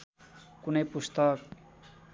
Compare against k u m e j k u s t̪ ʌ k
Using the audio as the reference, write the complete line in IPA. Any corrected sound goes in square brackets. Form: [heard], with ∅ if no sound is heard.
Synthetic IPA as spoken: k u [n] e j [p] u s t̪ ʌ k